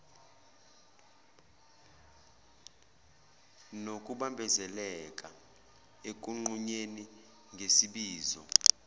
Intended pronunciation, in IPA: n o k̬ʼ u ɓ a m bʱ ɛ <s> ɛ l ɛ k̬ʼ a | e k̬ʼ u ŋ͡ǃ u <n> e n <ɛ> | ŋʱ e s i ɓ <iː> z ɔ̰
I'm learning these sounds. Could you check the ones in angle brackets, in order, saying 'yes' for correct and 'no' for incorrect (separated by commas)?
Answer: no, no, no, yes